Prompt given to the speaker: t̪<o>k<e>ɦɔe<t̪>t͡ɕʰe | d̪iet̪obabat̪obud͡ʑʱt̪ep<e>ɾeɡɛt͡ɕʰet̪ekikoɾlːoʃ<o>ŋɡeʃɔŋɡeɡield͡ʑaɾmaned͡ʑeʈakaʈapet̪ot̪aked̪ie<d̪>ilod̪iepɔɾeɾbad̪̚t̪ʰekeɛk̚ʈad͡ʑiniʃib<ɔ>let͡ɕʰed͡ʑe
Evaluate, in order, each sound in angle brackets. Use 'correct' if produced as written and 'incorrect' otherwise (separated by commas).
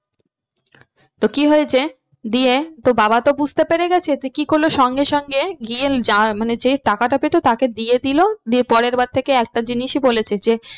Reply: correct, incorrect, incorrect, correct, incorrect, correct, incorrect